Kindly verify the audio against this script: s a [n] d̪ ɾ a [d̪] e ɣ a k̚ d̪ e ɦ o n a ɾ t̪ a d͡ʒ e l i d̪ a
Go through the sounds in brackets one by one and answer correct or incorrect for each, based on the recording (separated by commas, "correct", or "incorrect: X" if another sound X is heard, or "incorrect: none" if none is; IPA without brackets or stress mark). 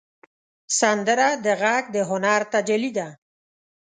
correct, correct